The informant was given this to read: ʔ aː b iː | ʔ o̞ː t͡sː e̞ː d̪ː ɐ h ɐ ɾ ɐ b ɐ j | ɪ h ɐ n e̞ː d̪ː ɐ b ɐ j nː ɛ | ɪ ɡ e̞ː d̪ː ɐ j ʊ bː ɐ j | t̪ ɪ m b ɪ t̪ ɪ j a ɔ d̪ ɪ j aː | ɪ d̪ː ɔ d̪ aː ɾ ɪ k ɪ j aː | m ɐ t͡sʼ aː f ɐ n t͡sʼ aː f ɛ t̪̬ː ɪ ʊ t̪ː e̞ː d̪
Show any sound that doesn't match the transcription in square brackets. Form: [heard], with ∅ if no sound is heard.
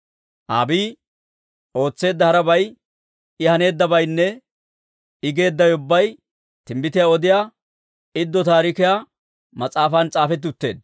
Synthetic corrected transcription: ʔ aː b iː | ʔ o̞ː t͡sː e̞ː d̪ː ɐ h ɐ ɾ ɐ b ɐ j | ɪ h ɐ n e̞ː d̪ː ɐ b ɐ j nː ɛ | ɪ ɡ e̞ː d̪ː ɐ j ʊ bː ɐ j | t̪ ɪ m b ɪ t̪ ɪ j a ɔ d̪ ɪ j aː | ɪ d̪ː ɔ [t̪] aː ɾ ɪ k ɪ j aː | m ɐ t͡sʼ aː f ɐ n t͡sʼ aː f ɛ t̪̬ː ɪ ʊ t̪ː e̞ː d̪